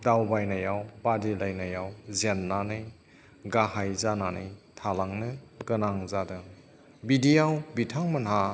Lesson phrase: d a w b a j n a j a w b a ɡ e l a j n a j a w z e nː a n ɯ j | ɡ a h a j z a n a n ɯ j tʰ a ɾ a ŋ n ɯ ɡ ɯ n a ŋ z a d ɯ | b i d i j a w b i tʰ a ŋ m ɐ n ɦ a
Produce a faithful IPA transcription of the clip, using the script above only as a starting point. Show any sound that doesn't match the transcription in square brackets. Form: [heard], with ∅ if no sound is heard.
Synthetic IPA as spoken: d a w b a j n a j a w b a [d] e l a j n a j a w z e nː a n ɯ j | ɡ a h a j z a n a n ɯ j tʰ a [l] a ŋ n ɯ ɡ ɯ n a ŋ z a d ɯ | b i d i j a w b i tʰ a ŋ m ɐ n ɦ a